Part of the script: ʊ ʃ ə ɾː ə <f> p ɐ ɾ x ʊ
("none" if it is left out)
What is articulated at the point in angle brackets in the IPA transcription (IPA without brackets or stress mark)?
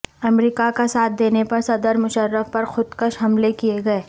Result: f